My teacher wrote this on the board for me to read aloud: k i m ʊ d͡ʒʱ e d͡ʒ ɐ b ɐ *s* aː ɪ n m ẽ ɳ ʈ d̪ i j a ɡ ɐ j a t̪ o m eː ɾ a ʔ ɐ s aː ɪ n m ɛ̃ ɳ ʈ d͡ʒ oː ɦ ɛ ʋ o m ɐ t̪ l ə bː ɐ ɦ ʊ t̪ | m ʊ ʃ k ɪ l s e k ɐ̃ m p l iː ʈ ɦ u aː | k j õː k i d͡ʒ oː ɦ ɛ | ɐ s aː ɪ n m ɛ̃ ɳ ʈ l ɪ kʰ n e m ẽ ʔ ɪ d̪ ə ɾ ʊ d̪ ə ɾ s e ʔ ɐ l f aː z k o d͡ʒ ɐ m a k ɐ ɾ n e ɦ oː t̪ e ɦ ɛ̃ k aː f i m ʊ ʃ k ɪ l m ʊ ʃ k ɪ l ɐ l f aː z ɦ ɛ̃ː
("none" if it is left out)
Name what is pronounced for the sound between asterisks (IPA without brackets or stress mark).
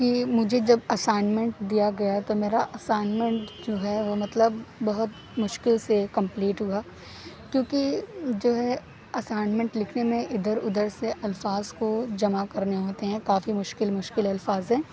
s